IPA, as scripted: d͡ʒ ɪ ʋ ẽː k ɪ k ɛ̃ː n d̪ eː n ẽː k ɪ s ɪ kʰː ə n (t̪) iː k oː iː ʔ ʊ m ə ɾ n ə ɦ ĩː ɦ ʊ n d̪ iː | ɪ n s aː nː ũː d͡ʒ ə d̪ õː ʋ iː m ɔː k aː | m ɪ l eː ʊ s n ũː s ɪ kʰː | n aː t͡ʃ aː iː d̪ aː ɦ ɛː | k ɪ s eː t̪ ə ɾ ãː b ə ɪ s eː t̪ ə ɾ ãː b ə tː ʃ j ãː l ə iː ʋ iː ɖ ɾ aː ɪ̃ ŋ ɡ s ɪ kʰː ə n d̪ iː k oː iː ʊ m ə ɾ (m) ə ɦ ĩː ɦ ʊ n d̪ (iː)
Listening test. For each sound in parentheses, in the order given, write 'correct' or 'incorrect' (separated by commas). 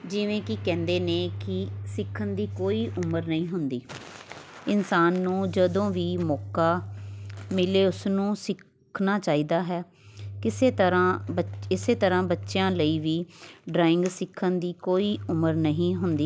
incorrect, incorrect, correct